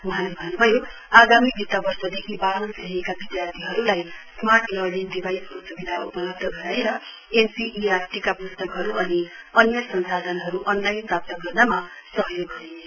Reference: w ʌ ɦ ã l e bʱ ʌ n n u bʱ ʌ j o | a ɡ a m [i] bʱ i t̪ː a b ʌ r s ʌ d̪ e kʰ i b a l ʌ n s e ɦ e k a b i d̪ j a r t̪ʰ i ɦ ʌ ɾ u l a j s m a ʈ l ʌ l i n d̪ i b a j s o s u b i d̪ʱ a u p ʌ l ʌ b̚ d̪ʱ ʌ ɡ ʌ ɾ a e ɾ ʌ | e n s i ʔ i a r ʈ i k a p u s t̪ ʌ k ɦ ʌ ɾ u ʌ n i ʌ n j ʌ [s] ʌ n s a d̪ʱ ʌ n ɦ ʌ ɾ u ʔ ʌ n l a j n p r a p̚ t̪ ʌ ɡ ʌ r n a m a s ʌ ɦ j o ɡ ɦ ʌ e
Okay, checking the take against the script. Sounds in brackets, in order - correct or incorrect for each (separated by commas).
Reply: correct, correct